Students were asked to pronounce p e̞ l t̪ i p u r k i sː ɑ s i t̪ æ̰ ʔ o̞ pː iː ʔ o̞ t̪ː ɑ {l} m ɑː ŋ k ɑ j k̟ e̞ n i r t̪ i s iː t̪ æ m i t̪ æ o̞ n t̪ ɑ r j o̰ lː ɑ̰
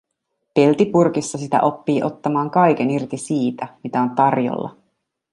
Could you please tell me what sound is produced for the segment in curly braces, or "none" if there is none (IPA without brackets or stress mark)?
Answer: none